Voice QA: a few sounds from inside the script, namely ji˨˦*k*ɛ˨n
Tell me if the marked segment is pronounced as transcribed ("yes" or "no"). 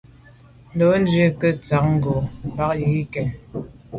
yes